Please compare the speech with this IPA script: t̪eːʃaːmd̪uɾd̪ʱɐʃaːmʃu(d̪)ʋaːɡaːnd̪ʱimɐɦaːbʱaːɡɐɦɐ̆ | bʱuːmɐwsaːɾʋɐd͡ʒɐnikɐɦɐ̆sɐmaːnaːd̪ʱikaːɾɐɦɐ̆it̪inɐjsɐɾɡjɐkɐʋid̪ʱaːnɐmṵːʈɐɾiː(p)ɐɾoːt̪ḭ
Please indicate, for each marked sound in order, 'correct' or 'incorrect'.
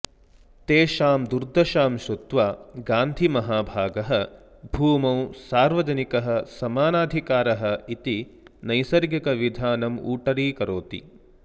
incorrect, incorrect

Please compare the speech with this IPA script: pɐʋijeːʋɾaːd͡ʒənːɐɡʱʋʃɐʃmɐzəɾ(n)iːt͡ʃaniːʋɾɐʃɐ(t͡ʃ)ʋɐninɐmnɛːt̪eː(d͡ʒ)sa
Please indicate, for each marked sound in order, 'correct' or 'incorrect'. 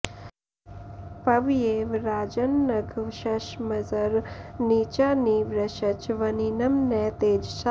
correct, correct, correct

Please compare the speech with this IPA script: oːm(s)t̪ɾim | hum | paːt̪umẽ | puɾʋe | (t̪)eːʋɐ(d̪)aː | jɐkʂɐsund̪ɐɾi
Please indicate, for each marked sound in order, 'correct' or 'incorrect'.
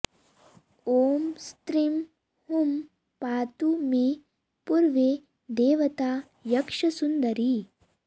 correct, incorrect, incorrect

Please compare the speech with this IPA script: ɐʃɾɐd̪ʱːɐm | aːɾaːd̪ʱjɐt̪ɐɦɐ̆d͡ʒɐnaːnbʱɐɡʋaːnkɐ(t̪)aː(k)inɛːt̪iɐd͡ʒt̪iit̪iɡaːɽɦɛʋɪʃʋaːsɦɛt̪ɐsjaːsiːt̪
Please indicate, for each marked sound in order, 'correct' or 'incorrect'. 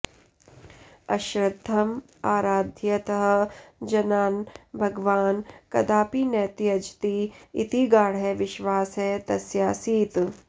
incorrect, incorrect

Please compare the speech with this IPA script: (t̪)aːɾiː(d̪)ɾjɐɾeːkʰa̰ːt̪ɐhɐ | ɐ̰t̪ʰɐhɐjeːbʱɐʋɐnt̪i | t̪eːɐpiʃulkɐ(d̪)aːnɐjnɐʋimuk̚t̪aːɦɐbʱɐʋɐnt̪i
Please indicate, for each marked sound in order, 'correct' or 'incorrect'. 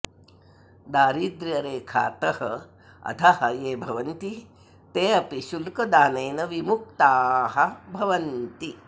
incorrect, correct, correct

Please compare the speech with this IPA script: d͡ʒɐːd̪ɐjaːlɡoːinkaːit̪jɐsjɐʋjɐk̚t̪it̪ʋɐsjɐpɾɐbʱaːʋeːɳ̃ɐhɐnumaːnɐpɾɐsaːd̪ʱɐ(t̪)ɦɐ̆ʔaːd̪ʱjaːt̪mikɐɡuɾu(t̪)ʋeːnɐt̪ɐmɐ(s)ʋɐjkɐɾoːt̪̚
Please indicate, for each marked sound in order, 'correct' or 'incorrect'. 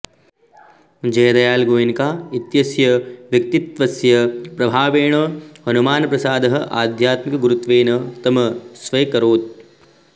incorrect, correct, correct

